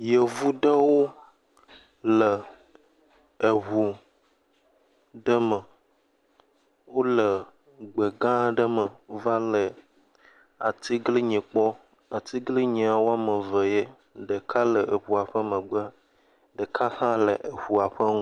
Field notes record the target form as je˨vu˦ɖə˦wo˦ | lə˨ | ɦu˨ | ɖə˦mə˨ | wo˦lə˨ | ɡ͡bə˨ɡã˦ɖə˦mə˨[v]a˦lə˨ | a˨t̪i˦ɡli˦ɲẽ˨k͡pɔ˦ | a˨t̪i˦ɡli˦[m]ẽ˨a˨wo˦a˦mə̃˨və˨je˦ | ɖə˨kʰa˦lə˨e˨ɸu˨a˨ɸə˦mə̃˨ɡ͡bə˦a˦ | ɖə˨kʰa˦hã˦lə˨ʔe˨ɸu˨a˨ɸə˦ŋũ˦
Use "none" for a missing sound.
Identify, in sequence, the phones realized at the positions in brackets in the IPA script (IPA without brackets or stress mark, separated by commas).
v, ɲ